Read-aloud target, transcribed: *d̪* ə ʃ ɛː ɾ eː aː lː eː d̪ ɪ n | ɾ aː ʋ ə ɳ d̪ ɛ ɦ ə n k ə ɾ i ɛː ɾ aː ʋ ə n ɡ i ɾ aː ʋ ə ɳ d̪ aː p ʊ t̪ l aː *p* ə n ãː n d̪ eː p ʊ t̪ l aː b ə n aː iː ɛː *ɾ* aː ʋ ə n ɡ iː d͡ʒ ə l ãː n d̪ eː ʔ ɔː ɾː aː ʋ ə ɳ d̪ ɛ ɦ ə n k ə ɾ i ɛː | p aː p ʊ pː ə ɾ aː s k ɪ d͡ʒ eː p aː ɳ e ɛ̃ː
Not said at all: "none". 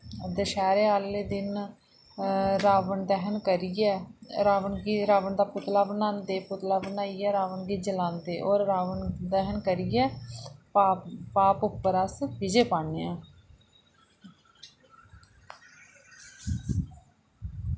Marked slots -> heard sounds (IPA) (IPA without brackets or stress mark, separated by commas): d̪, b, ɾ